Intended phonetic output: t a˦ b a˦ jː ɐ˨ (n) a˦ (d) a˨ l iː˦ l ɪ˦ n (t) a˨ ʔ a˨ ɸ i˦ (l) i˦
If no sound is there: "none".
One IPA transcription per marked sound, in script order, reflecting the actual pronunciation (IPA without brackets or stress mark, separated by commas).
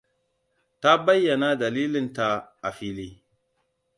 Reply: n, d, t, l